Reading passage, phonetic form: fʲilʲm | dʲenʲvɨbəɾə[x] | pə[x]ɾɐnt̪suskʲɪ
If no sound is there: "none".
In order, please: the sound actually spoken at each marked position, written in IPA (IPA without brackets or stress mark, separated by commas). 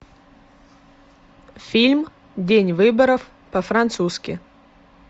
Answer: f, f